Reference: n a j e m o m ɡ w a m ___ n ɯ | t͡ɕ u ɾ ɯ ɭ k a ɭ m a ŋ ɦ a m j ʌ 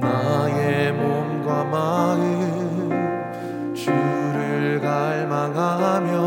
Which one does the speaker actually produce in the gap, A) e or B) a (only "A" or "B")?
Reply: B